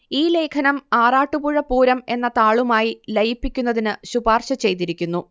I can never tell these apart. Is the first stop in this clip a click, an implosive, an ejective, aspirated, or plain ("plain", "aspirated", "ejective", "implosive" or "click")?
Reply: aspirated